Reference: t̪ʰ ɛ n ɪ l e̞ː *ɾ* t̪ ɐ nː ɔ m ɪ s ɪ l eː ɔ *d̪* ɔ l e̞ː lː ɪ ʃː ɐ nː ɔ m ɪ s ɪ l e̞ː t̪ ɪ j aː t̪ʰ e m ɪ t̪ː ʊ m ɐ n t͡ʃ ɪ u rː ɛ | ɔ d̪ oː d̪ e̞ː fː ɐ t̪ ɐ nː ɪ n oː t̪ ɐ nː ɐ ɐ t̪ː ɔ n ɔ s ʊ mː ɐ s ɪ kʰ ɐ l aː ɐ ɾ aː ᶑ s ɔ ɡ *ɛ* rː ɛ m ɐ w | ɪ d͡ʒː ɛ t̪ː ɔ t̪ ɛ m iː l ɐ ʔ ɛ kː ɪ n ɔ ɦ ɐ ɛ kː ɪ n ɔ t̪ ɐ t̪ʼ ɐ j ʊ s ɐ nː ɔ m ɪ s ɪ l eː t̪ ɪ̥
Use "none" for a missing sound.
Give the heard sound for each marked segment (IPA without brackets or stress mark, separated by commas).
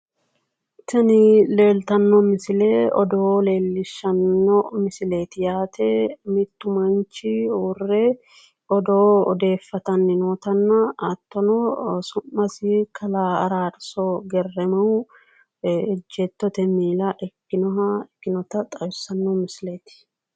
l, d̪, ɛ